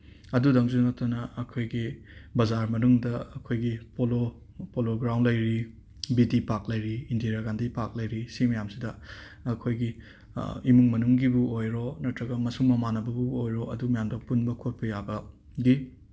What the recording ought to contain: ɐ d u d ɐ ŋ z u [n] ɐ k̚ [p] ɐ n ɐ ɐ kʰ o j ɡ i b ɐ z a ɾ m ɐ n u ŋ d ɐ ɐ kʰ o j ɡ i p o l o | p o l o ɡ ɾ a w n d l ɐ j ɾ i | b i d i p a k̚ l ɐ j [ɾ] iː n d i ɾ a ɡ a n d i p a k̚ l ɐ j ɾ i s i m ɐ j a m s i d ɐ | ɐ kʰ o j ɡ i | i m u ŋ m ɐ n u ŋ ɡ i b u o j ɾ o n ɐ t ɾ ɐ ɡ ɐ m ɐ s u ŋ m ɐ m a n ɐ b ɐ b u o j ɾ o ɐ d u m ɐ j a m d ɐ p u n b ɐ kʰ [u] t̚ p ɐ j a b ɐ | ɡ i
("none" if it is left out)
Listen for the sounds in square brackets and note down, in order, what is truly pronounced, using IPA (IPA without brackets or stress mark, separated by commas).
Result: n, t, ɾ, o